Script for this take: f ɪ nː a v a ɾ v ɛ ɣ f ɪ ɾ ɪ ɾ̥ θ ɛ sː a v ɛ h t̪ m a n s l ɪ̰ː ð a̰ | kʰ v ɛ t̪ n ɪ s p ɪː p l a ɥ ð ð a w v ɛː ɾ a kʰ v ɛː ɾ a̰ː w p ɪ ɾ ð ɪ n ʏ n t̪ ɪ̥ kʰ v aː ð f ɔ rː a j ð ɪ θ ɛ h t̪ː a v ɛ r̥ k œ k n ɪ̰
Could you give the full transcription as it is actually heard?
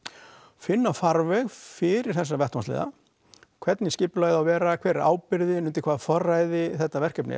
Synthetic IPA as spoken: f ɪ nː a f a ɾ v ɛ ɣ f ɪ ɾ ɪ ɾ̥ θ ɛ sː a v ɛ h t̪ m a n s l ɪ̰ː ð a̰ | kʰ v ɛ t̪ n ɪ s c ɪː p l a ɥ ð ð a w v ɛː ɾ a kʰ v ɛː ɾ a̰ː w p ɪ ɾ ð ɪ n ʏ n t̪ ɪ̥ kʰ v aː ð f ɔ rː a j ð ɪ θ ɛ h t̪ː a v ɛ r̥ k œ p n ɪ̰